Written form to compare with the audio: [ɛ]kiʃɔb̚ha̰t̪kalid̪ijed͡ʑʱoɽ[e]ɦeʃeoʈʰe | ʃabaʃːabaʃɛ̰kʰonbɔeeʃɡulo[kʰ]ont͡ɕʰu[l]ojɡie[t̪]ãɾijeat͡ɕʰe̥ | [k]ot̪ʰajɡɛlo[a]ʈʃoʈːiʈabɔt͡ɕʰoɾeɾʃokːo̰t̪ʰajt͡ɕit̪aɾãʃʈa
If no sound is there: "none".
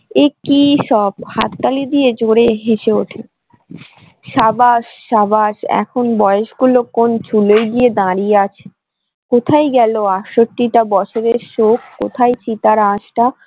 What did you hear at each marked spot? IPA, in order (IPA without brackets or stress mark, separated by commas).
e, e, k, l, d̪, k, a